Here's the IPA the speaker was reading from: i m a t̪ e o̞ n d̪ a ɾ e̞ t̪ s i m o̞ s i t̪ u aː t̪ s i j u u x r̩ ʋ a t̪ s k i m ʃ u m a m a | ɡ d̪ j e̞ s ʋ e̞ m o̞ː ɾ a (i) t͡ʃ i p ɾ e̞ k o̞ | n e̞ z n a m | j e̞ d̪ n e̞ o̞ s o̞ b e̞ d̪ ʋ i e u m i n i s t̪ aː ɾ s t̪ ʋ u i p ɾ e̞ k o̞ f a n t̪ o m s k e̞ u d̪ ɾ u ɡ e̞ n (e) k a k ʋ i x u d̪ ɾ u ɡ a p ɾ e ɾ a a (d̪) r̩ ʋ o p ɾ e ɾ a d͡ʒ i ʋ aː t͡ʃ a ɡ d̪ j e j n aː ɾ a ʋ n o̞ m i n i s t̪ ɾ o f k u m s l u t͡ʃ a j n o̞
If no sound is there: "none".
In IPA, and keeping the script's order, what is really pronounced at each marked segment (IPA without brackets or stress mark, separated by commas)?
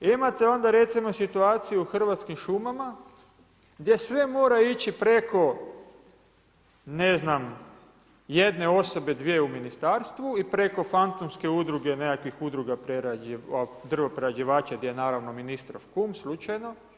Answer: i, e, d̪